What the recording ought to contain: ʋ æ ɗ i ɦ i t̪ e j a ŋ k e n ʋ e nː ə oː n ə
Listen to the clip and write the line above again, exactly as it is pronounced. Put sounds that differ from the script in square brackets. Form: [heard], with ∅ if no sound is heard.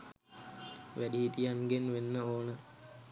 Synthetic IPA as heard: ʋ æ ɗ i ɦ i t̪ [i] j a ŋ [ɡ] e n ʋ e nː ə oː n ə